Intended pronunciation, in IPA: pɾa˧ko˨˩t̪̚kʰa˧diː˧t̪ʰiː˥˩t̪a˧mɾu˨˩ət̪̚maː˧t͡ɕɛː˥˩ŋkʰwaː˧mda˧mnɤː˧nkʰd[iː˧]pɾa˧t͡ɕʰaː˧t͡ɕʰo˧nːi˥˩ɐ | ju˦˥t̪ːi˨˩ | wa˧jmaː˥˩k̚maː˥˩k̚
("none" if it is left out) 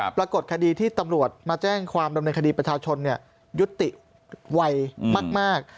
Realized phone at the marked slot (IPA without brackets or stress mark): iː˧